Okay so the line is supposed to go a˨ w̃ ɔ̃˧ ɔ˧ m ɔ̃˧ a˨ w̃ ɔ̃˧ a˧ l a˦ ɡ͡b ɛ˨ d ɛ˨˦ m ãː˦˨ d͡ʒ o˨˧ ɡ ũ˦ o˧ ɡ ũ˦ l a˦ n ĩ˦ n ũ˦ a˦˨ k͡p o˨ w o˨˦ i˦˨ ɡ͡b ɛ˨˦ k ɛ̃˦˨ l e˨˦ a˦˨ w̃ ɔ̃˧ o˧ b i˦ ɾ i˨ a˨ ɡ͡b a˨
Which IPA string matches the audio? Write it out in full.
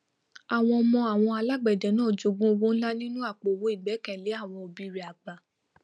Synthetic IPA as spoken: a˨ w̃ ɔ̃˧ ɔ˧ m ɔ̃˧ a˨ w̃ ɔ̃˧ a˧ l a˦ ɡ͡b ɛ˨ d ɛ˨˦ n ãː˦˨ d͡ʒ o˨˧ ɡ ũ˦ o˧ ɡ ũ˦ l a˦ n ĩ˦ n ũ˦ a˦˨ k͡p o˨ w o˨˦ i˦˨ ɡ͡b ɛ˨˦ k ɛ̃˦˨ l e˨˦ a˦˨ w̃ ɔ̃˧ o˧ b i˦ ɾ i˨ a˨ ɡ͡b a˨